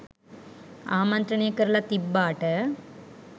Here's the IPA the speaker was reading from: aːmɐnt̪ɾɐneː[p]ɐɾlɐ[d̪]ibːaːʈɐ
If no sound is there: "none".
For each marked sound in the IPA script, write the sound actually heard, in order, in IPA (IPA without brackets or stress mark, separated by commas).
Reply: k, t̪